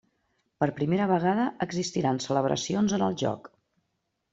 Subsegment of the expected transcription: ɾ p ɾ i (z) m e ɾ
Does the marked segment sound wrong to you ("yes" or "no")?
yes